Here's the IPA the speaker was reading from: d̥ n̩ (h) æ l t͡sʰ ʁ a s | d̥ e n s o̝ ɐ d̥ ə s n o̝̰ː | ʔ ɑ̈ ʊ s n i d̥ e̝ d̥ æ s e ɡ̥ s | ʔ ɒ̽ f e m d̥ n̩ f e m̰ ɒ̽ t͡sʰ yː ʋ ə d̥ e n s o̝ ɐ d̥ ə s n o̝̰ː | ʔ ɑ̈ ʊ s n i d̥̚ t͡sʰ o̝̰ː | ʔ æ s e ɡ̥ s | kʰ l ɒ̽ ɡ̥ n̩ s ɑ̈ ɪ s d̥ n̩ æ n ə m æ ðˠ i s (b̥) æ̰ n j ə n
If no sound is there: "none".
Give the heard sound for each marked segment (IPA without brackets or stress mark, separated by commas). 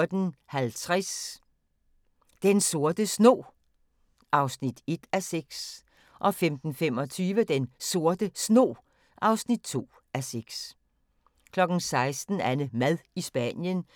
h, b̥